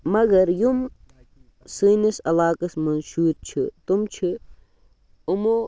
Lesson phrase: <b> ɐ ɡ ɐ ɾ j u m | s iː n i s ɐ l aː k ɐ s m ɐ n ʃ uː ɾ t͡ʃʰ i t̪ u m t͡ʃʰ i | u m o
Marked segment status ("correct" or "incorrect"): incorrect